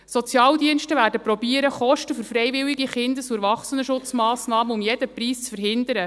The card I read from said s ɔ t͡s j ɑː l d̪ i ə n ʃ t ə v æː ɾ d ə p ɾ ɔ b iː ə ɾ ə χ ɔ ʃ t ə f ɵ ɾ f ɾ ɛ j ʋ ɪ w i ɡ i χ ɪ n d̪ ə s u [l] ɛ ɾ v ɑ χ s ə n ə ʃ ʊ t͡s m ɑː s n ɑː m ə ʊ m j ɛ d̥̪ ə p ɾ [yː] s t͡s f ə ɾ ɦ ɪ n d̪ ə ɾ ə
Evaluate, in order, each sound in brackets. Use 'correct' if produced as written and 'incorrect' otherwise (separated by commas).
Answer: incorrect, incorrect